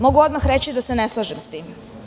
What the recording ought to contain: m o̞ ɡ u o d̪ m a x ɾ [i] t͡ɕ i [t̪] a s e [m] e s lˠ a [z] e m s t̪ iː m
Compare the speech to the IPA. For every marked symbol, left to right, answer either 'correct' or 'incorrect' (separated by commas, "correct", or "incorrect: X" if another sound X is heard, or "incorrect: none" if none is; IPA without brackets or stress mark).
incorrect: e, incorrect: d̪, incorrect: n, incorrect: ʒ